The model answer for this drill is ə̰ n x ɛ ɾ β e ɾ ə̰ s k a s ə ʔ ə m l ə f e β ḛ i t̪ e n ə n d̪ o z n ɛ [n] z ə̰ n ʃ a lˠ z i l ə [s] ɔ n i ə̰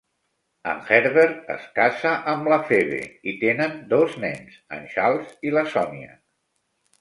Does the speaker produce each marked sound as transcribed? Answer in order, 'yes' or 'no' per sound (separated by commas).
yes, yes